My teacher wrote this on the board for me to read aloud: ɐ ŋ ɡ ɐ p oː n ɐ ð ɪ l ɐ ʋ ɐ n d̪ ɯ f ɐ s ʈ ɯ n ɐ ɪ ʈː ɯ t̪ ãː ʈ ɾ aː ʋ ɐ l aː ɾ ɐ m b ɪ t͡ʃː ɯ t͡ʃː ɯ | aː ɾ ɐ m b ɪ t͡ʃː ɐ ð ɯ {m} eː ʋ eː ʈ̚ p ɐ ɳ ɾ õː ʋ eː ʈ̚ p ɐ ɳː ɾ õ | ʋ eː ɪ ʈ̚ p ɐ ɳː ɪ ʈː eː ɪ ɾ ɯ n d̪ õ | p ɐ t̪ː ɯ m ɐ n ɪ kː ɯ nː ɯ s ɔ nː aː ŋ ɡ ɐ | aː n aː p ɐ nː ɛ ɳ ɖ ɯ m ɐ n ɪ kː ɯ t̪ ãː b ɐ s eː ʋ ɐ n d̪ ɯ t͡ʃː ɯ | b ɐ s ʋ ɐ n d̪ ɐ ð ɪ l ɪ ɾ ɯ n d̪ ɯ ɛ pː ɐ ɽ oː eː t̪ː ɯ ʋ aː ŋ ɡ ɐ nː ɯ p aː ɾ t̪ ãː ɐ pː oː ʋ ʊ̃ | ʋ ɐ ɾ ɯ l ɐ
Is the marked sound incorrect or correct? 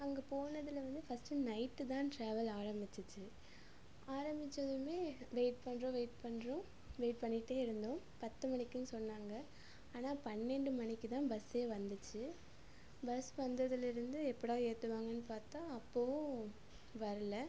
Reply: correct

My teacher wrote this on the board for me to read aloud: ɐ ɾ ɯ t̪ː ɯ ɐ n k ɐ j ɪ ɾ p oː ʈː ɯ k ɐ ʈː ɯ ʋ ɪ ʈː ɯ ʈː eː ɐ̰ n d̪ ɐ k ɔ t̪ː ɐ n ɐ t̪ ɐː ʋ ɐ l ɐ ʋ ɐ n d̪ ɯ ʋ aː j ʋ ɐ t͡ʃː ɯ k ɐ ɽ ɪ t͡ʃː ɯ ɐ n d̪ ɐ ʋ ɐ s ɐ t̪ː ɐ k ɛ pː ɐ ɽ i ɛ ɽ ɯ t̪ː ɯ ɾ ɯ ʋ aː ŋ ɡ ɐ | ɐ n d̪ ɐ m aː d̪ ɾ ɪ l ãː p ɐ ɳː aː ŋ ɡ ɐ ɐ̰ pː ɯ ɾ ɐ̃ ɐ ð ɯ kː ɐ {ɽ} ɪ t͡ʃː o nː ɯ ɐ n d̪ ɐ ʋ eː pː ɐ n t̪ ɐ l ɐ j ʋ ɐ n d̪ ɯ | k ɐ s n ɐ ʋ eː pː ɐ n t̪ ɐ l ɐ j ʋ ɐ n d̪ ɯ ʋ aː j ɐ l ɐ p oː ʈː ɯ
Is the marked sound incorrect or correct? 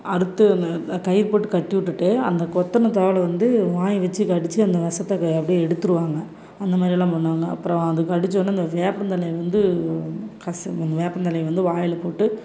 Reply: correct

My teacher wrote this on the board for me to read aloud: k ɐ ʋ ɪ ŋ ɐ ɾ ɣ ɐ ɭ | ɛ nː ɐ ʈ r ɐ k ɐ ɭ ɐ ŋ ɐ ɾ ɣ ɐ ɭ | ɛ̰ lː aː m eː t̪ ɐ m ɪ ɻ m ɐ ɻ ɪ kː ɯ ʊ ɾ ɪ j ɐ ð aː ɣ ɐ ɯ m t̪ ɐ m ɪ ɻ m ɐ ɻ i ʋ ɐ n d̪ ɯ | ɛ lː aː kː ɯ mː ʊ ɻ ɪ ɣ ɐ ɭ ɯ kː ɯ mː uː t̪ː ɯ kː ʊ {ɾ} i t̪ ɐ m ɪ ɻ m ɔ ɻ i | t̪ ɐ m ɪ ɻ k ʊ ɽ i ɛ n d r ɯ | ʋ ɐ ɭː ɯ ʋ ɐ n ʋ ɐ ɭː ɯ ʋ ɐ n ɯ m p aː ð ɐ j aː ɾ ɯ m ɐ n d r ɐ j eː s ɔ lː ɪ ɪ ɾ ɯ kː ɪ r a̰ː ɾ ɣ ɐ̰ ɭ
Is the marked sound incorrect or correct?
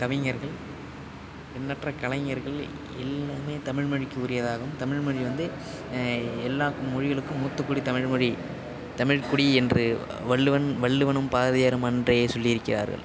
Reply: incorrect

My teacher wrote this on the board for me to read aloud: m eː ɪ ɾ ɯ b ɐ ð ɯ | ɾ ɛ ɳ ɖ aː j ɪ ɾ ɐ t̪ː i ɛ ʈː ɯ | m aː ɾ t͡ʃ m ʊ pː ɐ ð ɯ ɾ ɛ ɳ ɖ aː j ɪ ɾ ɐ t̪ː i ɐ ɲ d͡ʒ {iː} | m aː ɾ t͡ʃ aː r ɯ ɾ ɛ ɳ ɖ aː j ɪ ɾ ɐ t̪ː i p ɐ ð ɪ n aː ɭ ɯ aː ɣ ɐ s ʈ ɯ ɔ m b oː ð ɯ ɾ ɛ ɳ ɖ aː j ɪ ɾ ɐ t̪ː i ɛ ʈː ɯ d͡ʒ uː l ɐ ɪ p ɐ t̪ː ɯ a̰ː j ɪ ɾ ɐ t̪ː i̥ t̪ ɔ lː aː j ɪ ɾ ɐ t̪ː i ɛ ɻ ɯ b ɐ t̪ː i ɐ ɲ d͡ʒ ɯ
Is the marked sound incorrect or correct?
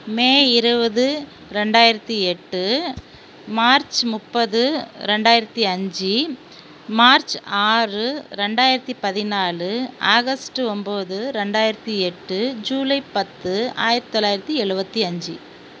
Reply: incorrect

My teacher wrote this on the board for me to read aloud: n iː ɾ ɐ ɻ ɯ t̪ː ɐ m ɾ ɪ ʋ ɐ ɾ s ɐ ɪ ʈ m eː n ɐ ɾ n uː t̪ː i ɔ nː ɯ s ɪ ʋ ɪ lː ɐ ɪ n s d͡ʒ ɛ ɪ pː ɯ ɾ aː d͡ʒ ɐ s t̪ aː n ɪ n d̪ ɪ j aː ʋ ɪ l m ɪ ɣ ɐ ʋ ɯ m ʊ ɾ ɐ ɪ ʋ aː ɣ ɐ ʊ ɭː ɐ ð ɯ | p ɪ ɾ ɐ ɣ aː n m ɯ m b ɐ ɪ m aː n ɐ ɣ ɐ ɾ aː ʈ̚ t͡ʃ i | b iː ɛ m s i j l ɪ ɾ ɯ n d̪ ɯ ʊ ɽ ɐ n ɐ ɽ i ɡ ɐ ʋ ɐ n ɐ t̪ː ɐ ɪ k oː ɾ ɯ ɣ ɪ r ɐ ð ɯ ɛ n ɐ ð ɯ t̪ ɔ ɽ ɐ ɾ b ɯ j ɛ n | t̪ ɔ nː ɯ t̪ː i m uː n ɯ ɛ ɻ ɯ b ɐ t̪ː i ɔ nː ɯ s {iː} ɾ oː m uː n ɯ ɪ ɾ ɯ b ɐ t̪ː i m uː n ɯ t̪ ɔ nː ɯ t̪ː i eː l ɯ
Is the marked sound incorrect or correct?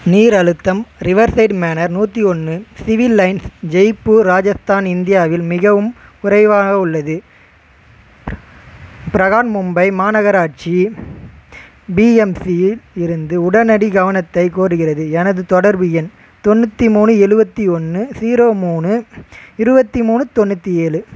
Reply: correct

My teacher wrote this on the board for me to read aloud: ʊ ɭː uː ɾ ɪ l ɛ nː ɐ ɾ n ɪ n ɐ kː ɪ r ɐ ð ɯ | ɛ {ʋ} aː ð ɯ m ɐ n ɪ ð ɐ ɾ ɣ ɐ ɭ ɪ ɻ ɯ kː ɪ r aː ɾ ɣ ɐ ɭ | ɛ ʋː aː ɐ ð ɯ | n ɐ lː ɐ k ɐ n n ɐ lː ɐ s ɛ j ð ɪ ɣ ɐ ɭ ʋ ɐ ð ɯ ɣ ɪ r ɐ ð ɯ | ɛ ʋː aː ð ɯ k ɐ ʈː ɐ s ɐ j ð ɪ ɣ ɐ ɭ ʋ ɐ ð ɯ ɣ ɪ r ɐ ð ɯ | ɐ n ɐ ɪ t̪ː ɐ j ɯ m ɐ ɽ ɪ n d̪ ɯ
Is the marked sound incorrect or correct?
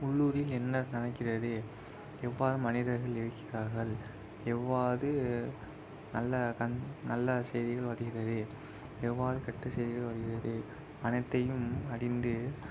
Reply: incorrect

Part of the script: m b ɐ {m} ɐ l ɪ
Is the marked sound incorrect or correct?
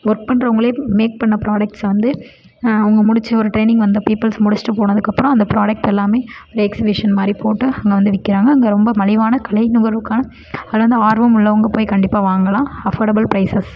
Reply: correct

